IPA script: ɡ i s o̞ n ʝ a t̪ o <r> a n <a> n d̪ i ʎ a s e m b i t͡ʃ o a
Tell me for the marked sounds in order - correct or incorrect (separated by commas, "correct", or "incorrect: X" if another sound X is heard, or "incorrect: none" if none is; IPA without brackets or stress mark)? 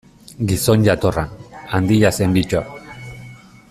correct, correct